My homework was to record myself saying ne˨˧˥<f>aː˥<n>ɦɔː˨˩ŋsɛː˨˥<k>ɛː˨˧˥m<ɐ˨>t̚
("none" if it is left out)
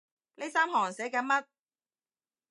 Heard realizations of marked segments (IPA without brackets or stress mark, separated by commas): s, m, k, ɐ˦˥